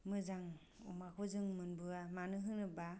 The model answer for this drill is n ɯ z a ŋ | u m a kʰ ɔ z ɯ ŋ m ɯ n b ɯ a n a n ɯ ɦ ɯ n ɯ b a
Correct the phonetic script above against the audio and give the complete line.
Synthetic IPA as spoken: m ɯ z a ŋ | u m a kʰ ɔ z ɯ ŋ m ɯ n b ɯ a m a n ɯ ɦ ɯ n ɯ b a